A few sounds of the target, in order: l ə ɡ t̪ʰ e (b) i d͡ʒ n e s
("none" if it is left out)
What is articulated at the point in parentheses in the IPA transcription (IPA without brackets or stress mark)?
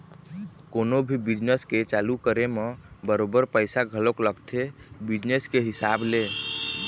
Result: b